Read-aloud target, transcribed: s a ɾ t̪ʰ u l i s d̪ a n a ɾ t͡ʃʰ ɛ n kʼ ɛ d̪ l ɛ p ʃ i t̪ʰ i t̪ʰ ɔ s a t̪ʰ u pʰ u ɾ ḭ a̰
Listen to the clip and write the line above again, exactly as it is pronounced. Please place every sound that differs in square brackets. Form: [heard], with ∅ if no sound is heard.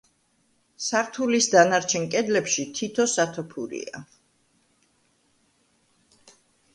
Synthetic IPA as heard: s a ɾ t̪ʰ u l i s d̪ a n a ɾ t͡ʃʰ ɛ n kʼ ɛ d̪ l ɛ p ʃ i t̪ʰ i t̪ʰ ɔ s a t̪ʰ [ɔ] pʰ u ɾ ḭ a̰